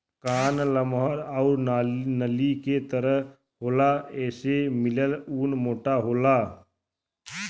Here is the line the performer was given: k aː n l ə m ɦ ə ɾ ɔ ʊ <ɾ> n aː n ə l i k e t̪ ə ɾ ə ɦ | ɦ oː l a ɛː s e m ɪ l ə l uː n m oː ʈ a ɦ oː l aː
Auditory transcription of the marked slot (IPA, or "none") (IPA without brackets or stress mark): ɾ